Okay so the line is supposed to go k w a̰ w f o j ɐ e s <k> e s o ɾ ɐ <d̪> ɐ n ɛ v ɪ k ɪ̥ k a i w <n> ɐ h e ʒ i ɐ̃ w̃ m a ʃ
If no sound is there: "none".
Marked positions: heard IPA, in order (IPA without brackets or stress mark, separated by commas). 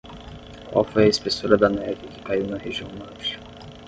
p, d̪, n